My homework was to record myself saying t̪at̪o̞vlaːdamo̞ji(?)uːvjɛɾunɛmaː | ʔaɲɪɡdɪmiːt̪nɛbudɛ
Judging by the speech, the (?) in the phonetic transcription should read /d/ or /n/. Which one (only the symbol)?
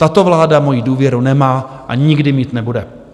d